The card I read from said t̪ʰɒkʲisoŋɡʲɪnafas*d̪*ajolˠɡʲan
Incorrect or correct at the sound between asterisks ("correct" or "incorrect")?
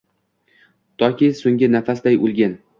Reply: correct